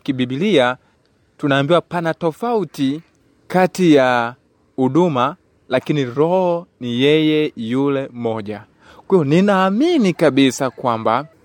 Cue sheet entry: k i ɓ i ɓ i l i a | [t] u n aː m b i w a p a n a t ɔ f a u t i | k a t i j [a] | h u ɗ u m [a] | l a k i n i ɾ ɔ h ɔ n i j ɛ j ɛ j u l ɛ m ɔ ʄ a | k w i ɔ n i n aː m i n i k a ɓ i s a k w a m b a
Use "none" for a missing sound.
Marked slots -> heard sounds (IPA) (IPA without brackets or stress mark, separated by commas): t, a, a